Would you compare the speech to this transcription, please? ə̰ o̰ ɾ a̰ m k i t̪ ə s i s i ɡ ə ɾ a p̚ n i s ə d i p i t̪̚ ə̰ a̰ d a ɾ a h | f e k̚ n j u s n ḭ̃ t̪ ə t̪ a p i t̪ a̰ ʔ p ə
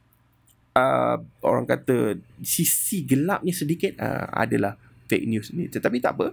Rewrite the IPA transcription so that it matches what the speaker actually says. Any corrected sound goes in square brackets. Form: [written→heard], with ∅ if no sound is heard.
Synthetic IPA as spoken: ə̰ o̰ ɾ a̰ [m→ŋ] k [i→a] t̪ ə s i s i ɡ ə [ɾ→l] a p̚ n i s ə d i [p→k] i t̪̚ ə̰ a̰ d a [ɾ→l] a h | f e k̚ n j u s n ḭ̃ t̪ ə t̪ a p i t̪ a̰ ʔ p ə